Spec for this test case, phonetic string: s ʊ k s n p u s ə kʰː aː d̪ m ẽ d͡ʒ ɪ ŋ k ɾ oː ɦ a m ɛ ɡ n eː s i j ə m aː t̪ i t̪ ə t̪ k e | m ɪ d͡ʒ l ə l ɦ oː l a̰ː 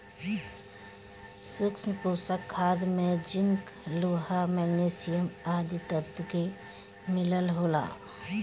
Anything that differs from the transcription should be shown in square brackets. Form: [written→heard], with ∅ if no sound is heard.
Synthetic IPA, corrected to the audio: s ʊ k s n p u s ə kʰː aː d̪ m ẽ d͡ʒ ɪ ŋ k [ɾ→l] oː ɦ a m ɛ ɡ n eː s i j ə m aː [t̪→d̪] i t̪ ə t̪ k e | m ɪ [d͡ʒ→∅] l ə l ɦ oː l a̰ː